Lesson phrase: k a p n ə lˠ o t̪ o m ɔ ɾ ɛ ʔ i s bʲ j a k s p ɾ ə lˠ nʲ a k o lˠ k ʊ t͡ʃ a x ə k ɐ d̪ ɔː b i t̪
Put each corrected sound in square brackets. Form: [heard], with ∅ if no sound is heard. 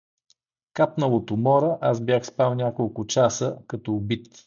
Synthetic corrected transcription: k a p n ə lˠ o t̪ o m ɔ ɾ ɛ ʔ [a] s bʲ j a [x] s p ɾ [a] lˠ nʲ a k o lˠ k ʊ t͡ʃ a [s] ə k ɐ [t̪] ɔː b i t̪